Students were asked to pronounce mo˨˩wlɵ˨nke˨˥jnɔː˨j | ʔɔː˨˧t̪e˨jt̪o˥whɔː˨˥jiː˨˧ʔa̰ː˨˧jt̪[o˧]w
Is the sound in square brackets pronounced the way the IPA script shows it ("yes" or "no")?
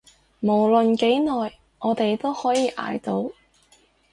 no